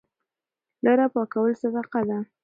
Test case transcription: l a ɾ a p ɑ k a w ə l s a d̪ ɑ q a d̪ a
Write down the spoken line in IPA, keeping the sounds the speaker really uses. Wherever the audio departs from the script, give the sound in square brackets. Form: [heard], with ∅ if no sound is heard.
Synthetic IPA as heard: l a ɾ a p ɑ k a w ə l s a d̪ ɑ q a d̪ a